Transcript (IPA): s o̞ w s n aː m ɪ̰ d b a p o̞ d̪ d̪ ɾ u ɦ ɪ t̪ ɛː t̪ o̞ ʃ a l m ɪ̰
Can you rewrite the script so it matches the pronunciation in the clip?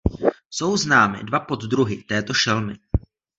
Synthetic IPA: s o̞ w z n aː m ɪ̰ d v a p o̞ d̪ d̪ ɾ u ɦ ɪ t̪ ɛː t̪ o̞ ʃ ɛ l m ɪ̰